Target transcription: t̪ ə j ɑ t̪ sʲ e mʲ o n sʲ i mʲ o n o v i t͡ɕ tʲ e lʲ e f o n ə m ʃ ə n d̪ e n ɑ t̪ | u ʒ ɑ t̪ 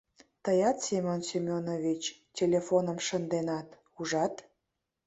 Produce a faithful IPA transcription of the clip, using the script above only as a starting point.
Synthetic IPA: t̪ ə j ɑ t̪ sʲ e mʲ o n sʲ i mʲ o n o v i t͡ɕ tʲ e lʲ e f o n ə m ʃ ə n d̪ e n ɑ t̪ | u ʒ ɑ t̪